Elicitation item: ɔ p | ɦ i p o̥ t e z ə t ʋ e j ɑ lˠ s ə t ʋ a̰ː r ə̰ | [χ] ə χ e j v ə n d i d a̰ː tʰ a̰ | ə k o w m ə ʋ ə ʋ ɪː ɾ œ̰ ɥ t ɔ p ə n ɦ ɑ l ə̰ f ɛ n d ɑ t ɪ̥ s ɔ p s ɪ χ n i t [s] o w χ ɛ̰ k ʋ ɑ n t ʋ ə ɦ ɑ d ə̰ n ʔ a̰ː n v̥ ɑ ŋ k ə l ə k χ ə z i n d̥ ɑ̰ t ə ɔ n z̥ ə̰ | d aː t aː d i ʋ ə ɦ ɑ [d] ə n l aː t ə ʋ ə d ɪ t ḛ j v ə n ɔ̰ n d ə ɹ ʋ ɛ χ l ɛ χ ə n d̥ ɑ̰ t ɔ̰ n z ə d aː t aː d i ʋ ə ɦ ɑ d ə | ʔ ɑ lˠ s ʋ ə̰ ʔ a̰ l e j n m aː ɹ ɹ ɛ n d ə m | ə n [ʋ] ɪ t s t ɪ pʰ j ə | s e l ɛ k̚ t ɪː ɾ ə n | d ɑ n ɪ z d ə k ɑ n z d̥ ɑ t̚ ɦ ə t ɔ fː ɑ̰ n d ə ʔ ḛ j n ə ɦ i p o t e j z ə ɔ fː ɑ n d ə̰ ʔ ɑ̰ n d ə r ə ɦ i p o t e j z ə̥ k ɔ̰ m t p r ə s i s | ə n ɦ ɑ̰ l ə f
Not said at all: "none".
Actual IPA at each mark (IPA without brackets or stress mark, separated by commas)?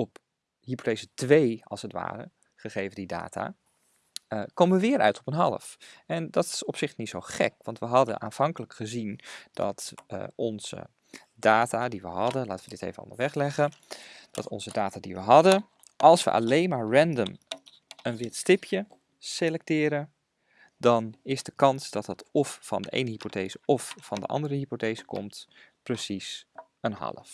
χ, s, d, ʋ